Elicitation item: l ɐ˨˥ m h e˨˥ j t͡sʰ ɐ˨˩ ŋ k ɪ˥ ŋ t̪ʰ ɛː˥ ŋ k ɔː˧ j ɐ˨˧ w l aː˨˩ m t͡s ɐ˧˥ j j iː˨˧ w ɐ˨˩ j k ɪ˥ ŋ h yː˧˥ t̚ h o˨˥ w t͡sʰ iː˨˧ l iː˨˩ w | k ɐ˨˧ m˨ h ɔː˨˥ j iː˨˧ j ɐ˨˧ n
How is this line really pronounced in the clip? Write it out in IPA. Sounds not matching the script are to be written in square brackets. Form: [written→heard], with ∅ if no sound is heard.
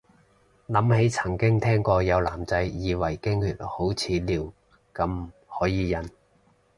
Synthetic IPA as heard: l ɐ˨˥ m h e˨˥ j t͡sʰ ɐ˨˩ ŋ k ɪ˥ ŋ t̪ʰ ɛː˥ ŋ k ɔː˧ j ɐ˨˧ w l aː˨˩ m t͡s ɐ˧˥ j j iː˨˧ w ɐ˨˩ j k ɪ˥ ŋ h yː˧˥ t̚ h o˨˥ w t͡sʰ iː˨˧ l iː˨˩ w | k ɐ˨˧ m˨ h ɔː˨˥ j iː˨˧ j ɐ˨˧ n